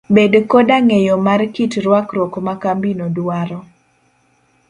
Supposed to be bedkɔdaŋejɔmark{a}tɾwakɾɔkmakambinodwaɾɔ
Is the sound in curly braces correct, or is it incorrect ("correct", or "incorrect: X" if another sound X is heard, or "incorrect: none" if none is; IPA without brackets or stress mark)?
incorrect: i